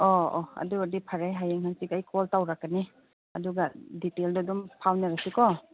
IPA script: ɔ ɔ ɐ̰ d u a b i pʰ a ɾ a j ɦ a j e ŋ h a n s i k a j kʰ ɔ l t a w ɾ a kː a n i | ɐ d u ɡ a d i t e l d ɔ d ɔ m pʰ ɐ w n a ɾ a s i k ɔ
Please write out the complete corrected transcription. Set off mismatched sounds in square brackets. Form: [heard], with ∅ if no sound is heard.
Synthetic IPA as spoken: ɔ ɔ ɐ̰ d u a [d] i pʰ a ɾ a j ɦ a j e ŋ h a n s i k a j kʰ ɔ l t a w ɾ a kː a n i | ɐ d u ɡ a d i t e l d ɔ d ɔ m pʰ [a] w n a ɾ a s i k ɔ

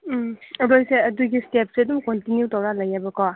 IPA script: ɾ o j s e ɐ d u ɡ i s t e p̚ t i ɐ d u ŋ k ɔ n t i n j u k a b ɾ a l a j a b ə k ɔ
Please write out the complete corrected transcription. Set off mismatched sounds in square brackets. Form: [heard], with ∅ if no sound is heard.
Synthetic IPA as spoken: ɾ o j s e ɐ d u ɡ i s t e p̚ [s] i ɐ d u [m] k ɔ n t i n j u [t] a [w] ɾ a l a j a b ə k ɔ

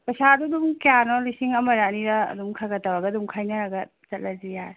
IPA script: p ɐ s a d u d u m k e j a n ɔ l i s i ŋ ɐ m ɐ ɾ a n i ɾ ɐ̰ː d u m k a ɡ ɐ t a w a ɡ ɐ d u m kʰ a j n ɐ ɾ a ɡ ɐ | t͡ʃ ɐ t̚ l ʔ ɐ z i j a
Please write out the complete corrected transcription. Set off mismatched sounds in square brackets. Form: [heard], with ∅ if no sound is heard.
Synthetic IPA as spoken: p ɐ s a d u d u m k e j a n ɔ l i s i ŋ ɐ m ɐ ɾ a n i ɾ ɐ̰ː d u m [kʰ] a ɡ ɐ t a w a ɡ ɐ d u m kʰ a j n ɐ ɾ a ɡ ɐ | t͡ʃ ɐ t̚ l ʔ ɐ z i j a

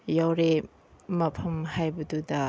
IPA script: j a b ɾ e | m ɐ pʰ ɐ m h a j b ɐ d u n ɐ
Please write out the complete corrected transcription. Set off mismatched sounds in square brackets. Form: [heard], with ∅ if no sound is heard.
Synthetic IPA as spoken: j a [w] ɾ e | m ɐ pʰ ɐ m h a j b ɐ d u [d] ɐ

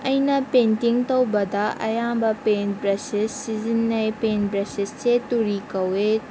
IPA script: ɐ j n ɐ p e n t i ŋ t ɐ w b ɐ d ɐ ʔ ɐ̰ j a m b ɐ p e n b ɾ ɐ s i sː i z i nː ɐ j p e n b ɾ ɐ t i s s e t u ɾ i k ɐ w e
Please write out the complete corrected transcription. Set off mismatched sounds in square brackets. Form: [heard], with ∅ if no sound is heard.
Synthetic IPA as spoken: ɐ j n ɐ p e n t i ŋ t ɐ w b ɐ d ɐ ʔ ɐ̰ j a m b ɐ p e n b ɾ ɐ s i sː i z i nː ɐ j p e n b ɾ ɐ [s] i s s e t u ɾ i k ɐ w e

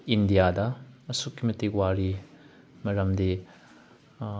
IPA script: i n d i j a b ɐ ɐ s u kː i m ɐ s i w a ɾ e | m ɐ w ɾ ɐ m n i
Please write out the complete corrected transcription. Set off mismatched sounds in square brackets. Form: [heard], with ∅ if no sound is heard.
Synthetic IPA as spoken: i n d i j a [d] ɐ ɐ s u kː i m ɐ [t] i w a ɾ [i] | m ɐ [∅] ɾ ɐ m [d] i

